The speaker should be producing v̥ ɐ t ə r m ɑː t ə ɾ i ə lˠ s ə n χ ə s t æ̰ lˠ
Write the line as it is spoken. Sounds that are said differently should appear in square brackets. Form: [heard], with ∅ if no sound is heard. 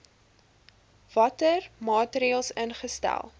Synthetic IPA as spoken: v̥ ɐ t ə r m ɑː t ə ɾ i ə lˠ s ə n χ ə s t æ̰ lˠ